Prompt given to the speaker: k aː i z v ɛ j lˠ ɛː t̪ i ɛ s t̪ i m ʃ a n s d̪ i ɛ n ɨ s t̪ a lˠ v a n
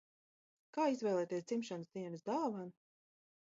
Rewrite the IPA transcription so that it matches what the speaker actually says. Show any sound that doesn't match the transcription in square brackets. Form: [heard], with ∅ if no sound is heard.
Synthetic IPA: k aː i z v ɛ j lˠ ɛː t̪ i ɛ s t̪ i m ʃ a n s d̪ i ɛ n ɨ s [d̪] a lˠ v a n